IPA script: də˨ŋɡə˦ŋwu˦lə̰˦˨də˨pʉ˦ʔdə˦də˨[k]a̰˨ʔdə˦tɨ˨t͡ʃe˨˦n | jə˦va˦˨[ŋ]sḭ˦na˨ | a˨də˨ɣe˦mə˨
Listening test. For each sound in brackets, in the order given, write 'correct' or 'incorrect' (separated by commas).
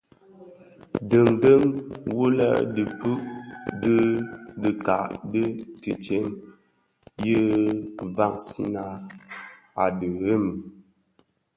correct, correct